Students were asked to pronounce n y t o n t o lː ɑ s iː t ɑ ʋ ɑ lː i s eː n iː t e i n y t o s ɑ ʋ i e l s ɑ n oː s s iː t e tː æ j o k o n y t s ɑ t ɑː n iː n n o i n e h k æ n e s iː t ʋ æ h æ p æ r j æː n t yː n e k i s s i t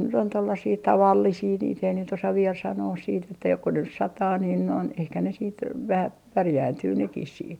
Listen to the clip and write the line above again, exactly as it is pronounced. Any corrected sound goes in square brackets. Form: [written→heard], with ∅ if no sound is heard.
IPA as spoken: n y t o n t o lː ɑ s iː t ɑ ʋ ɑ lː i s [eː→iː] n iː t e i n y t o s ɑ ʋ i e l s ɑ n oː s s iː t e tː æ j o k o n y [t→s] s ɑ t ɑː n iː n n o i n e h k æ n e s iː t ʋ æ h æ p æ r j æː n t yː n e k i s s [i→iː] t